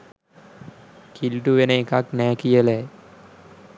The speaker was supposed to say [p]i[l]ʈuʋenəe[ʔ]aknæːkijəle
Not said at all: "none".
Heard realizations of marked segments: k, l, k

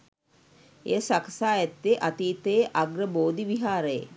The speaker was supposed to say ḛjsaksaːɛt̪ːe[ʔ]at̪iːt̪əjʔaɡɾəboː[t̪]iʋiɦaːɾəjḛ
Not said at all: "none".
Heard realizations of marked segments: ʔ, d̪

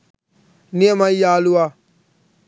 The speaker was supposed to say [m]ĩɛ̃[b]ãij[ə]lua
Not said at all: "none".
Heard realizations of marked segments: n, m, a

